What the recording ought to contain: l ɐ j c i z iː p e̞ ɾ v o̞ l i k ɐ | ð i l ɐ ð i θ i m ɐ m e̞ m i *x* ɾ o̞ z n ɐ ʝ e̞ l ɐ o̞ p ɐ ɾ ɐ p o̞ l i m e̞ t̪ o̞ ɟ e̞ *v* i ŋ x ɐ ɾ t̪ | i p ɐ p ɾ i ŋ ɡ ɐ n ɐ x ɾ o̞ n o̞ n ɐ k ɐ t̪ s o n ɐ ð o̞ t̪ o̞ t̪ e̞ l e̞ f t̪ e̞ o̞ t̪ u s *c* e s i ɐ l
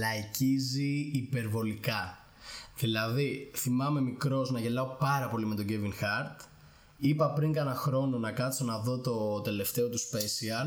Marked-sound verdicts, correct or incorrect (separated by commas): incorrect, correct, incorrect